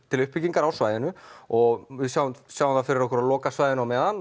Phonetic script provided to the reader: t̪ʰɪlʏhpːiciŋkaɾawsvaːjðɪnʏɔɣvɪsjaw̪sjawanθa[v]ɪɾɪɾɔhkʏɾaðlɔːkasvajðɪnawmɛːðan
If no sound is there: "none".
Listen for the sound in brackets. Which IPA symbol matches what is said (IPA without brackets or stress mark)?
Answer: f